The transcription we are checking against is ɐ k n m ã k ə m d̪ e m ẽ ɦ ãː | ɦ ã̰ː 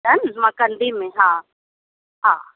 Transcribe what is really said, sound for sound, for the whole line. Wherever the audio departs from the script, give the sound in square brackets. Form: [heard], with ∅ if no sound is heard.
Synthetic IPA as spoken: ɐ [∅] n m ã k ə [n] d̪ [i] m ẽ ɦ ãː | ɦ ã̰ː